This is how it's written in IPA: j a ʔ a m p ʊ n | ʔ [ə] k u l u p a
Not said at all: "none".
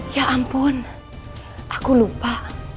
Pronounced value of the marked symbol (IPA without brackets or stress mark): a